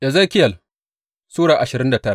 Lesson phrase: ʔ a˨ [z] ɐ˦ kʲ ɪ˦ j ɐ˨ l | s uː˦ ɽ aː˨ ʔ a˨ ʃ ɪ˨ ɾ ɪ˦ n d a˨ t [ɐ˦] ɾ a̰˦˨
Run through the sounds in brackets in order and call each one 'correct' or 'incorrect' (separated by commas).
correct, correct